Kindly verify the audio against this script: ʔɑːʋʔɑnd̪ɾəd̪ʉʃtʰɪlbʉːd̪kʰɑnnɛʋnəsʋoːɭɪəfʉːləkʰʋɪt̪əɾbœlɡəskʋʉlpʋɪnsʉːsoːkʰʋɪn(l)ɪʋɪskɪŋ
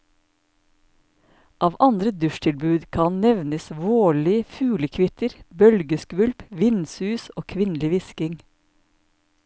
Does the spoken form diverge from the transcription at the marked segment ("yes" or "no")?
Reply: no